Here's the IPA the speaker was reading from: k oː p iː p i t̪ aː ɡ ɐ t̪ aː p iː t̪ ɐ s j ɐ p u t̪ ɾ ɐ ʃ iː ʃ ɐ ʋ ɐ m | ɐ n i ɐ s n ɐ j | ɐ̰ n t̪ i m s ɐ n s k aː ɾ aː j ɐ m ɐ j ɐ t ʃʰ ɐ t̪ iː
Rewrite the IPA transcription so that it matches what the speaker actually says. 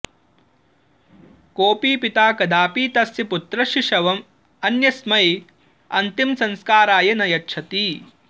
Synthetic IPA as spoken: k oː p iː p i t̪ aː k ɐ d̪ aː p iː t̪ ɐ s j ɐ p u t̪ ɾ ɐ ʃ i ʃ ɐ ʋ ɐ m | ɐ n j ɐ s m ɐ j | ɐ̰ n t̪ i m s ɐ n s k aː ɾ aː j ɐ n ɐ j ɐ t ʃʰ ɐ t̪ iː